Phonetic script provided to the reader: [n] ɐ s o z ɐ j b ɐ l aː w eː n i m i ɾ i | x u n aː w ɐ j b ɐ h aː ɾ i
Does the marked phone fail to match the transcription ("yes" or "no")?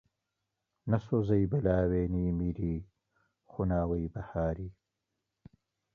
no